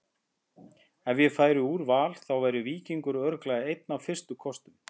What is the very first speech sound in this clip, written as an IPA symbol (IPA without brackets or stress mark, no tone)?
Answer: ɛ